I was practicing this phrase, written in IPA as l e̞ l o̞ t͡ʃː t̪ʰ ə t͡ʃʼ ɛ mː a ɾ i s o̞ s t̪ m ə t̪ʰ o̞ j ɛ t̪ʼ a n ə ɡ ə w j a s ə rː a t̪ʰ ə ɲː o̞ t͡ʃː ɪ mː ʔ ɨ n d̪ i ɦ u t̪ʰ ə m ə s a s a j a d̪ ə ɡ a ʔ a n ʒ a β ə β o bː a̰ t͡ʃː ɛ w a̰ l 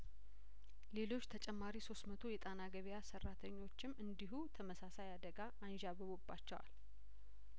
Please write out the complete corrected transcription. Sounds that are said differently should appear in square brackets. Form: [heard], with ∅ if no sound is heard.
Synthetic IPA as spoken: l e̞ l o̞ t͡ʃː t̪ʰ ə t͡ʃʼ ɛ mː a ɾ i s o̞ s t̪ m ə t̪ʰ o̞ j ɛ t̪ʼ a n [a] ɡ ə [β] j a s ə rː a t̪ʰ ə ɲː o̞ t͡ʃː ɪ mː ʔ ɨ n d̪ i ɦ u t̪ʰ ə m ə s a s a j a d̪ ə ɡ a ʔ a n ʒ a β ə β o bː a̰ t͡ʃː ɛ w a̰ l